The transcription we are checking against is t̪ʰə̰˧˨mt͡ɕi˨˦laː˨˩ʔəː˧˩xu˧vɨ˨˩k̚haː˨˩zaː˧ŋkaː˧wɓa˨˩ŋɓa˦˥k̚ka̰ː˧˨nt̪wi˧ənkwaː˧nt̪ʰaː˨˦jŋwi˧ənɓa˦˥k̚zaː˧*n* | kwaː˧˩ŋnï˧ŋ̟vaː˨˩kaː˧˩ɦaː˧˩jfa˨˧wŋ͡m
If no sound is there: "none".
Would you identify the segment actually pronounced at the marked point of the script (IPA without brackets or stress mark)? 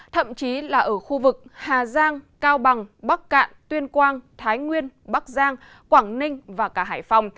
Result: ŋ